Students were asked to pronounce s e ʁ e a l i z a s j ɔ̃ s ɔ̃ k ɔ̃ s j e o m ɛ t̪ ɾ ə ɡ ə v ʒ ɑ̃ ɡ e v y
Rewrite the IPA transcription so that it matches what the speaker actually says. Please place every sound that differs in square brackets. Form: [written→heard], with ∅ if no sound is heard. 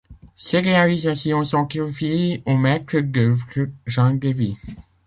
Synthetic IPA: s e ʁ e a l i z a s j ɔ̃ s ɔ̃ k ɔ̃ [s→f] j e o m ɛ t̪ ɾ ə ɡ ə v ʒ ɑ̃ ɡ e v [y→i]